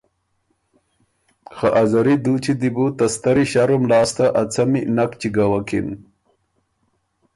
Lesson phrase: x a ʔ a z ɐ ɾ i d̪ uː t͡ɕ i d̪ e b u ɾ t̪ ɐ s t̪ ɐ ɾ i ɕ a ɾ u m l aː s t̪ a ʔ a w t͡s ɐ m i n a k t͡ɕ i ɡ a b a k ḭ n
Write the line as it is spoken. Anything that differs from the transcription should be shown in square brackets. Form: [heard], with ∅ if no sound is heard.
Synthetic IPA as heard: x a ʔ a z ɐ ɾ i d̪ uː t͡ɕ i d̪ [i] b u [∅] t̪ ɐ s t̪ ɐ ɾ i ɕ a ɾ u m l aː s t̪ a ʔ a [∅] t͡s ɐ m i n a k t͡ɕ i ɡ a [w] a k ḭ n